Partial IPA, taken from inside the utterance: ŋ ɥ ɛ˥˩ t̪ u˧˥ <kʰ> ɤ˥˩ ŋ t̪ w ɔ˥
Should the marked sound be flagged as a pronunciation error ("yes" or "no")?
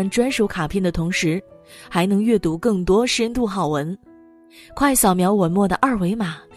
yes